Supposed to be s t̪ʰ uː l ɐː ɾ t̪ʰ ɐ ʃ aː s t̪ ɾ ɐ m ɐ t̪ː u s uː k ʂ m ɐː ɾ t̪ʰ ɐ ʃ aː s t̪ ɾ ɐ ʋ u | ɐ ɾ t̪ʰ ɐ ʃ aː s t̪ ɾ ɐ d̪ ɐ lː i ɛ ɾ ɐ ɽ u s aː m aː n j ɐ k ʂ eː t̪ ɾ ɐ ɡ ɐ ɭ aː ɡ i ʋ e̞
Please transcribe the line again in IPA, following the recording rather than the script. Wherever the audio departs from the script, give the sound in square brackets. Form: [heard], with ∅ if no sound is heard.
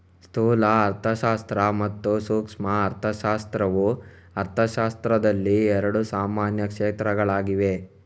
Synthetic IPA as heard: s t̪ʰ uː l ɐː ɾ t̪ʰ ɐ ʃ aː s t̪ ɾ ɐ m ɐ t̪ː u s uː k ʂ m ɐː ɾ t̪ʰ ɐ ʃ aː s t̪ ɾ ɐ ʋ u | ɐ ɾ t̪ʰ ɐ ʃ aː s t̪ ɾ ɐ d̪ ɐ lː i ɛ ɾ ɐ ɽ u s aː m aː n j ɐ k ʂ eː t̪ ɾ ɐ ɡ ɐ ɭ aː ɡ i ʋ e̞

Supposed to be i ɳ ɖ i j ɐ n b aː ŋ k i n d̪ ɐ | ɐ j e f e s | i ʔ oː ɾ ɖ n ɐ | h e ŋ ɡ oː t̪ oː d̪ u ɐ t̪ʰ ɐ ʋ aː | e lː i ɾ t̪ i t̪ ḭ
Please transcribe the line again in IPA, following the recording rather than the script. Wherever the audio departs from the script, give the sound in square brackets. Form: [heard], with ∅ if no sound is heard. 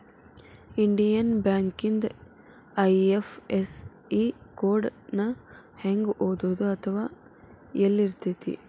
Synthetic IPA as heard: i ɳ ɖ i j ɐ n b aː ŋ k i n d̪ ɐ | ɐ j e f e s | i [k] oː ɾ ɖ n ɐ | h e ŋ ɡ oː [d̪] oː d̪ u ɐ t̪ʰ ɐ ʋ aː | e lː i ɾ t̪ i t̪ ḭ

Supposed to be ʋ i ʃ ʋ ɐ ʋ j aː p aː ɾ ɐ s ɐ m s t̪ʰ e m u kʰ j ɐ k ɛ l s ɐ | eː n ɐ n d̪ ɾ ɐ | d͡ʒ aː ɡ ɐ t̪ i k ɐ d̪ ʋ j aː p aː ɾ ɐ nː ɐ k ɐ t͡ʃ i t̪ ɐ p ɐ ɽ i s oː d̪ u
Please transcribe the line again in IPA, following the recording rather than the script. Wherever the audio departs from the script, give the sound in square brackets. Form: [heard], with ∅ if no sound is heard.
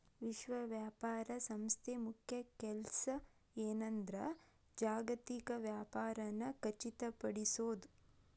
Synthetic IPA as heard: ʋ i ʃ ʋ ɐ ʋ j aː p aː ɾ ɐ s ɐ m s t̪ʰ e m u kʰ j ɐ k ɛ l s ɐ | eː n ɐ n d̪ ɾ ɐ | d͡ʒ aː ɡ ɐ t̪ i k ɐ [∅] ʋ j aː p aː ɾ ɐ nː ɐ k ɐ t͡ʃ i t̪ ɐ p ɐ ɽ i s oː d̪ u

